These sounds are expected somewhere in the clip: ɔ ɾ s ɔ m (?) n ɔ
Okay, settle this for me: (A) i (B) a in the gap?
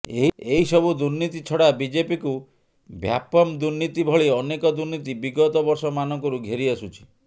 B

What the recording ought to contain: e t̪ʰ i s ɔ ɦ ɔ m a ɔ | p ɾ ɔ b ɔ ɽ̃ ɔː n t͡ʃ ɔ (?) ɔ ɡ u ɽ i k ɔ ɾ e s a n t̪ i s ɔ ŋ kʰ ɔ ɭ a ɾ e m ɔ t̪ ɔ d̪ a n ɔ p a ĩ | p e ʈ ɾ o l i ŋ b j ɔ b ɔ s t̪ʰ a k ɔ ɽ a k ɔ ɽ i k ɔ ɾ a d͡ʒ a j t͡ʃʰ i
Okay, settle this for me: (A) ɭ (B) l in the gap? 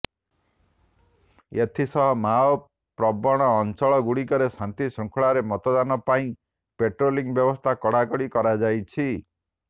A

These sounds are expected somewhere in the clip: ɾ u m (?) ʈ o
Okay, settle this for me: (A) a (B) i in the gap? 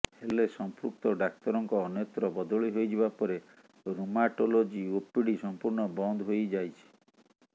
A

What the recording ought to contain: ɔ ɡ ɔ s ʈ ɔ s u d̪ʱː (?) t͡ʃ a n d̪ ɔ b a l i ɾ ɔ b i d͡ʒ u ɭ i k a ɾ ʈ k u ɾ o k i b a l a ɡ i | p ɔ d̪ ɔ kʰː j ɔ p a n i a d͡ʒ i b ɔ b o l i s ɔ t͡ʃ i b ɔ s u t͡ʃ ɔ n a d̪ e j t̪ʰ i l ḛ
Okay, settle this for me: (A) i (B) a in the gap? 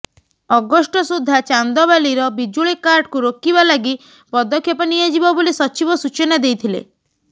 B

